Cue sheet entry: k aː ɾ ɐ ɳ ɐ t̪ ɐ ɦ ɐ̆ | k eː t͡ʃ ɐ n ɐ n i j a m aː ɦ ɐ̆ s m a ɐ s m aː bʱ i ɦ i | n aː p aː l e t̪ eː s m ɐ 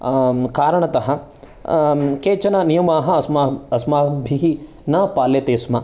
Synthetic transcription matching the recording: k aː ɾ ɐ ɳ ɐ t̪ ɐ ɦ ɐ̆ | k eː t͡ʃ ɐ n ɐ n i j ɐ m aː ɦ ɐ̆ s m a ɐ s m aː bʱ i ɦ i | n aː p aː l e t̪ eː s m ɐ